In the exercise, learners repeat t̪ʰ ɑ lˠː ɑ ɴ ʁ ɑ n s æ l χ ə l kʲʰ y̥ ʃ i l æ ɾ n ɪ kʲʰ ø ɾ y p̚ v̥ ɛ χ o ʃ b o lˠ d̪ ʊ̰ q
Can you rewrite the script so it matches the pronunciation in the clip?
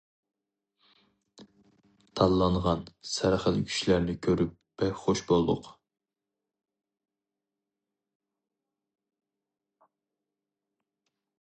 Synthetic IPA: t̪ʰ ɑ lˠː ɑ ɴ ʁ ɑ n s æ ɾ χ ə l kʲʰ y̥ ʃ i l æ ɾ n ɪ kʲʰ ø ɾ y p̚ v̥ ɛ χ o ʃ b o lˠ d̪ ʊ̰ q